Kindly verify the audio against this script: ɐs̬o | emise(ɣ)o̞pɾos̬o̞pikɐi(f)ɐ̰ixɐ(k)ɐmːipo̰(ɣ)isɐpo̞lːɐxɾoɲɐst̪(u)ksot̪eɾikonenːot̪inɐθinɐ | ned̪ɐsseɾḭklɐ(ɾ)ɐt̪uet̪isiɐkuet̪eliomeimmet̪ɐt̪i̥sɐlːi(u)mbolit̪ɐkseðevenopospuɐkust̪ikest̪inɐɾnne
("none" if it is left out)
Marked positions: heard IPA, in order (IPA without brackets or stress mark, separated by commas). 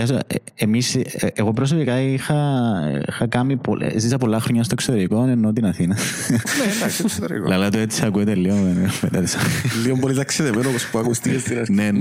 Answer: ɣ, x, k, z, o, l, o